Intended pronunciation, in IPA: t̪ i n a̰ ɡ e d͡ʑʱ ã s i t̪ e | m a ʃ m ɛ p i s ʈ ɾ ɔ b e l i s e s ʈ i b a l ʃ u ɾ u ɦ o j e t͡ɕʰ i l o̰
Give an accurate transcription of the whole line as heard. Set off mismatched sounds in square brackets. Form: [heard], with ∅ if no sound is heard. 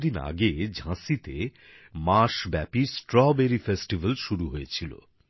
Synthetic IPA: [d̪] i n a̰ ɡ e d͡ʑʱ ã s i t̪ e | m a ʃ [b] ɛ p i s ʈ ɾ ɔ b e [ɾ] i [f] e s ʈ i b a l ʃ u ɾ u ɦ o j e t͡ɕʰ i l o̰

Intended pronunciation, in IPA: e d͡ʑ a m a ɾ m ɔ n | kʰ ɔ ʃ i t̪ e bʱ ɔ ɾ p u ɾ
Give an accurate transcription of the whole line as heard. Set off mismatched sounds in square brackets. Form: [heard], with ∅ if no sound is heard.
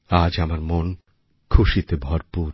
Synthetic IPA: [a] d͡ʑ a m a ɾ m [o] n | kʰ [u] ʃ i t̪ e bʱ ɔ ɾ p u ɾ

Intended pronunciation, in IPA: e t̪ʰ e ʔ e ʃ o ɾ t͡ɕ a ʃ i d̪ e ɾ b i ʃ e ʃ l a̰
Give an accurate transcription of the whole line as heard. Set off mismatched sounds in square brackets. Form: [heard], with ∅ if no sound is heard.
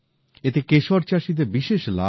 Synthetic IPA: e [t̪] e [k] e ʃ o ɾ t͡ɕ a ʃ i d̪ e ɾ b i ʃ e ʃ l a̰

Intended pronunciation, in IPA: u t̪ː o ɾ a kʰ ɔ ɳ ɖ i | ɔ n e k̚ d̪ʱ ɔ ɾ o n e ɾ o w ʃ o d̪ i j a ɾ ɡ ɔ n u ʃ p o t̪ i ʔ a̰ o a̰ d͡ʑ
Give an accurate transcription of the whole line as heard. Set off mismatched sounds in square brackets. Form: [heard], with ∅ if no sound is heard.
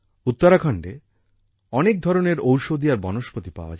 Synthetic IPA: u t̪ː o ɾ a kʰ ɔ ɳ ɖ [e] | ɔ n e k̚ d̪ʱ ɔ ɾ o n e ɾ o w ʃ o d̪ i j a ɾ [b] ɔ n [o] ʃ p o t̪ i [p] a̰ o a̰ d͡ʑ

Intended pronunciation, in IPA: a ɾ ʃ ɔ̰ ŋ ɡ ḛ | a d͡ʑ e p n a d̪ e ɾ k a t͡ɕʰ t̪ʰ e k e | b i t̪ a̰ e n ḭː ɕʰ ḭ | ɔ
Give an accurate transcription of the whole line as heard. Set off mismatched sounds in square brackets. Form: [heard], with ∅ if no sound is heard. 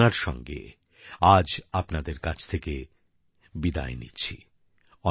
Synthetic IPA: a ɾ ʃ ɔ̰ ŋ ɡ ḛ | a d͡ʑ [a] p n a d̪ e ɾ k a t͡ɕʰ t̪ʰ e k e | b i [d̪] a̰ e n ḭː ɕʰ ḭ | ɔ

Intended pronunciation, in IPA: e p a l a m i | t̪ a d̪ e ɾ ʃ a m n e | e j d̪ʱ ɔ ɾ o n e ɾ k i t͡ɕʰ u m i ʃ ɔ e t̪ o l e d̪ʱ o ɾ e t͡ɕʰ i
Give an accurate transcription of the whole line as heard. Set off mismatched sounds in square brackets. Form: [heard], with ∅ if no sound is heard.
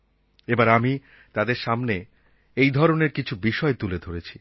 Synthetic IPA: e [b] a [ɾ] a m i | t̪ a d̪ e ɾ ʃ a m n e | e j d̪ʱ ɔ ɾ o n e ɾ k i t͡ɕʰ u [b] i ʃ ɔ e t̪ [u] l e d̪ʱ o ɾ e t͡ɕʰ i

